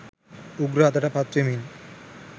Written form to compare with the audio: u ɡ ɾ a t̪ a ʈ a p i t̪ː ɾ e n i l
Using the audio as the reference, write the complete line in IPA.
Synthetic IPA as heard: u ɡ ɾ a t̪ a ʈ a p a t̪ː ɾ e m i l